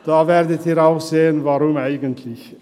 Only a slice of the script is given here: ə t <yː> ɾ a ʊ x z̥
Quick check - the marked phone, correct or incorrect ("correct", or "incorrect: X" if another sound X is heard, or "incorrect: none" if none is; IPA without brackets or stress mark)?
incorrect: iː